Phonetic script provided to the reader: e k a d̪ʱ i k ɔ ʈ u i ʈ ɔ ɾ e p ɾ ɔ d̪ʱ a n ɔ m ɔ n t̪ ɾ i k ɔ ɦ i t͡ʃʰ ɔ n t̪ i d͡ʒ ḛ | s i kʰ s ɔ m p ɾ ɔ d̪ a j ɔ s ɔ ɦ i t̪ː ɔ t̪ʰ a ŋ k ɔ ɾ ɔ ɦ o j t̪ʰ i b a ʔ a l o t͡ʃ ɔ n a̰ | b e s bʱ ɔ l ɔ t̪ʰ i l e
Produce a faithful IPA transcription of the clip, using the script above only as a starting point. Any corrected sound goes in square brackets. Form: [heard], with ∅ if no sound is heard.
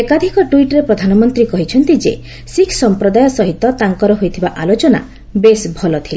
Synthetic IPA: e k a d̪ʱ i k ɔ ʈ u i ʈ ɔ ɾ e p ɾ ɔ d̪ʱ a n ɔ m ɔ n t̪ ɾ i k ɔ ɦ i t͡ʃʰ ɔ n t̪ i d͡ʒ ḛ | s i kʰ s ɔ m p ɾ ɔ d̪ a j ɔ s ɔ ɦ i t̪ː ɔ [t̪] a ŋ k ɔ ɾ ɔ ɦ o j t̪ʰ i b a ʔ a l o t͡ʃ ɔ n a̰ | b e s bʱ ɔ l ɔ t̪ʰ i l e

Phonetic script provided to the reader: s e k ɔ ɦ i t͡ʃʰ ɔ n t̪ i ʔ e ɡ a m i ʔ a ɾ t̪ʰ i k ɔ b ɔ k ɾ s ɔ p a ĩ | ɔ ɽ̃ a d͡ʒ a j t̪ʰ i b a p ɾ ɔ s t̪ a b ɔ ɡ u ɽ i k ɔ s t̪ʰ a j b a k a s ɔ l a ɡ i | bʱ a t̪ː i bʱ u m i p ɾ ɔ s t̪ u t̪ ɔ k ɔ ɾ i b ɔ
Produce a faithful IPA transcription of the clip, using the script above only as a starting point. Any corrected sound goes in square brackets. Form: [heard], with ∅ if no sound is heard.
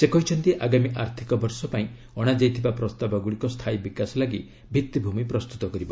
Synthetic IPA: s e k ɔ ɦ i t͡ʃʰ ɔ n t̪ i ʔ [a] ɡ a m i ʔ a ɾ t̪ʰ i k ɔ b ɔ [∅] ɾ s ɔ p a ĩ | ɔ ɽ̃ a d͡ʒ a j t̪ʰ i b a p ɾ ɔ s t̪ a b ɔ ɡ u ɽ i k ɔ s t̪ʰ a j b [i] k a s ɔ l a ɡ i | bʱ [i] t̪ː i bʱ u m i p ɾ ɔ s t̪ u t̪ ɔ k ɔ ɾ i b ɔ

